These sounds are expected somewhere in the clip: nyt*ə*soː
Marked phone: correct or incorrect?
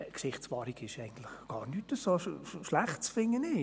correct